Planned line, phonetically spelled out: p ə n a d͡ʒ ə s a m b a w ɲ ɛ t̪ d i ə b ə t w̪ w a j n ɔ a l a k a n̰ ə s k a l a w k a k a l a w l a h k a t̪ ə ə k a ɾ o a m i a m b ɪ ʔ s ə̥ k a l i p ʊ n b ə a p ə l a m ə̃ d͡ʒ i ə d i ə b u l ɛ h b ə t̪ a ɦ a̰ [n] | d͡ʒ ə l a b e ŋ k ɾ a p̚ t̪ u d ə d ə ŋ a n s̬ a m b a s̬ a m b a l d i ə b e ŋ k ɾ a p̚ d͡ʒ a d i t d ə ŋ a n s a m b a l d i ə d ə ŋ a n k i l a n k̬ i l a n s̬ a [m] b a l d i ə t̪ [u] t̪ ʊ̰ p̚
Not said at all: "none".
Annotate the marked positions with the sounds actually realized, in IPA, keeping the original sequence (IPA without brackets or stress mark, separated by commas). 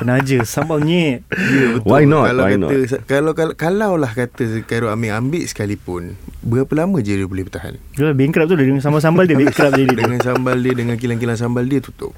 n, m, u